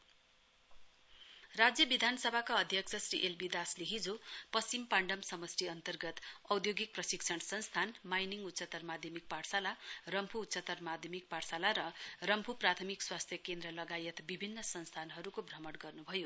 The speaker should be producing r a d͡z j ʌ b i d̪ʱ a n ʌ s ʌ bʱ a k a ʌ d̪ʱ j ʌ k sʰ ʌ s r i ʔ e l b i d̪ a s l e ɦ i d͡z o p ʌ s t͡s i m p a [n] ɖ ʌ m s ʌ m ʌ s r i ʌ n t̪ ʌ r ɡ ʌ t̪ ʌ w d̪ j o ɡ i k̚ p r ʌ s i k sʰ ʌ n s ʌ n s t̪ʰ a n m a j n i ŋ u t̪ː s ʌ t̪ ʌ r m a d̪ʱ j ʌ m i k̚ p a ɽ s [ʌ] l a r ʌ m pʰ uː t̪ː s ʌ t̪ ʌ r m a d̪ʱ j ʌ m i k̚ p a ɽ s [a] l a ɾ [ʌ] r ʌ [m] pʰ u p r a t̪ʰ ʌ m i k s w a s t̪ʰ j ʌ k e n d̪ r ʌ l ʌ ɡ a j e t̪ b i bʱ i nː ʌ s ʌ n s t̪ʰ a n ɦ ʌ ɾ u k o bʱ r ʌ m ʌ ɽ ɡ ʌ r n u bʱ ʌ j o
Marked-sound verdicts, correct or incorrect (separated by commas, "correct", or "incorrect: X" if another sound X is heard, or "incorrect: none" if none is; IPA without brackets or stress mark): incorrect: ɳ, incorrect: a, correct, correct, correct